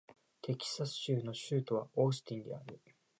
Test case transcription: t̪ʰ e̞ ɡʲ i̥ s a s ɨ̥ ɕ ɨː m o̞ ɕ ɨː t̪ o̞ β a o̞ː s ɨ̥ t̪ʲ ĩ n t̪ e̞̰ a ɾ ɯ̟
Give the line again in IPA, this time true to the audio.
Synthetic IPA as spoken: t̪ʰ e̞ kʲ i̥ s a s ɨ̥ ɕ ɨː n o̞ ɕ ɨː t̪ o̞ β a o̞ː s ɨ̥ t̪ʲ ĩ n d̪ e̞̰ a ɾ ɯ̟